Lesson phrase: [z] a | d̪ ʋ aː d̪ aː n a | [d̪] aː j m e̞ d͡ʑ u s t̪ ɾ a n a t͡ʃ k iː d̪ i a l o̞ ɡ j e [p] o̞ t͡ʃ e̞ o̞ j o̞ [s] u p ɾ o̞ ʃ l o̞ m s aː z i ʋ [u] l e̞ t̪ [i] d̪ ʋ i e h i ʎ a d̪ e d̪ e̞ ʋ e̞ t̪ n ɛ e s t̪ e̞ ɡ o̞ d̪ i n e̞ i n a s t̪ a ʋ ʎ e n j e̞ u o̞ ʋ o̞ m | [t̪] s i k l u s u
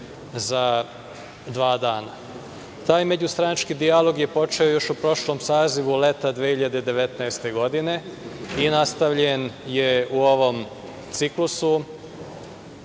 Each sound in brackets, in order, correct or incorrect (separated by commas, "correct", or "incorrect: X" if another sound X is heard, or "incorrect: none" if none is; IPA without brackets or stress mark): correct, incorrect: t̪, correct, incorrect: ʃ, correct, incorrect: a, correct